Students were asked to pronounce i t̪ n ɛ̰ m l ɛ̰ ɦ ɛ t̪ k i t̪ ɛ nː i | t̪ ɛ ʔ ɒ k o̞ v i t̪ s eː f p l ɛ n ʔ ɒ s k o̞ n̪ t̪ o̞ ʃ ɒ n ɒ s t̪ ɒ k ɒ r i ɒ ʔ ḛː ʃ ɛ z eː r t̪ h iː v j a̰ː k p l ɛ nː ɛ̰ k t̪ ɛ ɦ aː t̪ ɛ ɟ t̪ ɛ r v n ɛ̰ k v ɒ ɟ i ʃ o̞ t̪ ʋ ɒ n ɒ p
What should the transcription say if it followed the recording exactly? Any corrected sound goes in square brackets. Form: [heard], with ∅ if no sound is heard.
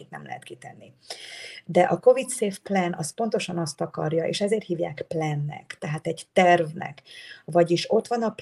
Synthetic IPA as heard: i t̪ n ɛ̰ m l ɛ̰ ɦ ɛ t̪ k i t̪ ɛ nː i | [d̪] ɛ ʔ ɒ k o̞ v i t̪ s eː f p l ɛ n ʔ ɒ s [p] o̞ n̪ t̪ o̞ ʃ ɒ n ɒ s t̪ ɒ k ɒ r [j] ɒ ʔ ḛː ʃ ɛ z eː r t̪ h iː v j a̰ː k p l ɛ nː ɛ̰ k t̪ ɛ ɦ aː t̪ ɛ ɟ t̪ ɛ r v n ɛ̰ k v ɒ ɟ i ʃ o̞ t̪ ʋ ɒ n ɒ p